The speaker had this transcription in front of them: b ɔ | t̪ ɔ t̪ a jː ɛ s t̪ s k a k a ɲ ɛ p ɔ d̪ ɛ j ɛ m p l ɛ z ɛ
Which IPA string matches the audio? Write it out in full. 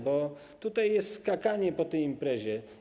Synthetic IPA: b ɔ | t̪ u t̪ a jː ɛ s t̪ s k a k a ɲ ɛ p ɔ t̪ ɛ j i m p ɾ ɛ ʑ ɛ